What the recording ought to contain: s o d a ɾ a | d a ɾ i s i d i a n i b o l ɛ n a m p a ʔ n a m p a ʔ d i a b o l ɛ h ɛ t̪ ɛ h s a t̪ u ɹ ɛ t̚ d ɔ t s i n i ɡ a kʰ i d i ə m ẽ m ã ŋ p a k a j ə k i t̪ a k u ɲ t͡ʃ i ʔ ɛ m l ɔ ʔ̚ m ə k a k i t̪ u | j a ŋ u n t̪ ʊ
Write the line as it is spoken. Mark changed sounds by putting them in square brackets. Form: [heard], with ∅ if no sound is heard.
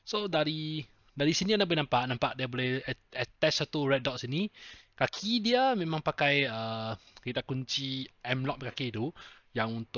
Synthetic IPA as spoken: s o d a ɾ [i] | d a ɾ i s i [n] i a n [a] b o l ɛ n a m p a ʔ n a m p a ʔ d i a b o l ɛ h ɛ t̪ ɛ [s] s a t̪ u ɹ ɛ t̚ d ɔ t s i n i [k] a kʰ i d i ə m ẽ m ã ŋ p a k a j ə k i t̪ a k u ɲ t͡ʃ i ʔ ɛ m l ɔ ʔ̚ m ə k a k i t̪ u | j a ŋ u n t̪ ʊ